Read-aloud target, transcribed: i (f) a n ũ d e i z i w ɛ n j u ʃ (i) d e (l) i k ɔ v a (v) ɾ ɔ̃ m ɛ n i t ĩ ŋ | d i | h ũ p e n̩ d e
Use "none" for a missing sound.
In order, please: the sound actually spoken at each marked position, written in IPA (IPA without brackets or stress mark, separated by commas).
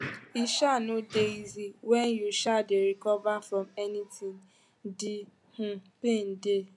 ʃ, a, ɾ, f